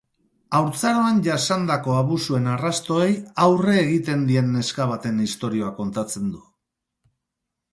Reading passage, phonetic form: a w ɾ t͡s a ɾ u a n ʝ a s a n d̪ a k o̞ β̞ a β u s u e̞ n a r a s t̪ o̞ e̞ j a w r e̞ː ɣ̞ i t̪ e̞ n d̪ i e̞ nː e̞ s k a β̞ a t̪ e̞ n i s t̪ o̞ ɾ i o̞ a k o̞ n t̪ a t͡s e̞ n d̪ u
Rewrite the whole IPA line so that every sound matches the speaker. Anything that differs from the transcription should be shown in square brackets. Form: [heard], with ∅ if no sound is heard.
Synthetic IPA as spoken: a w ɾ t͡s a ɾ [o] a n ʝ a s a n d̪ a k o̞ [∅] a β u s u e̞ n a r a s t̪ o̞ e̞ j a w r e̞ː ɣ̞ i t̪ e̞ n d̪ i e̞ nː e̞ s k a β̞ a t̪ e̞ n i s t̪ o̞ ɾ i o̞ a k o̞ n t̪ a t͡s e̞ n d̪ u